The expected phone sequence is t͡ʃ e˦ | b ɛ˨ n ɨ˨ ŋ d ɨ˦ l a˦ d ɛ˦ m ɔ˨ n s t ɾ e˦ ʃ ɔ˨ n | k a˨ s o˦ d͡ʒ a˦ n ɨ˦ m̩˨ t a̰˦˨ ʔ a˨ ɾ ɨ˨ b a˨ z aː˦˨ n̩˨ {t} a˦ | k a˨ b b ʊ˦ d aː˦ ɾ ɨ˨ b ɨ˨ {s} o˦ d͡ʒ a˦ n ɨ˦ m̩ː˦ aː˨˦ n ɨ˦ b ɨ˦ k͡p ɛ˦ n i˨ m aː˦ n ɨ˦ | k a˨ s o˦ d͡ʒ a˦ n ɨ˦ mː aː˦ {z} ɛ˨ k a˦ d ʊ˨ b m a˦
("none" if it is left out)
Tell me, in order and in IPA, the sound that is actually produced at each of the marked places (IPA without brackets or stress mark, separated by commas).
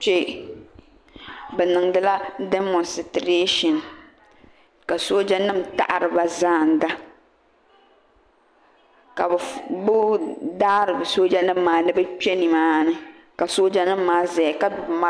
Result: d, s, z